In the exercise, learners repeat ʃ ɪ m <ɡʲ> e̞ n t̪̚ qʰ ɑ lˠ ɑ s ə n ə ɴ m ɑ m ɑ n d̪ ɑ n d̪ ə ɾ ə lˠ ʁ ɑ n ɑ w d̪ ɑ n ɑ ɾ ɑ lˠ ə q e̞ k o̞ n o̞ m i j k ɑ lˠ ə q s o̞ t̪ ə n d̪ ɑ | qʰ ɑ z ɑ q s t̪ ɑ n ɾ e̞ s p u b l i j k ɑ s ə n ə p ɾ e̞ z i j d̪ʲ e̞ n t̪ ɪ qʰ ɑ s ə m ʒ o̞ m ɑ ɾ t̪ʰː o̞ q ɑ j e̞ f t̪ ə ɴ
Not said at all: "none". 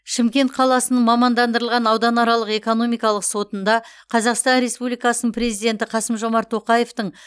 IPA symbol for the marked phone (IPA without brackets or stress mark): kʲ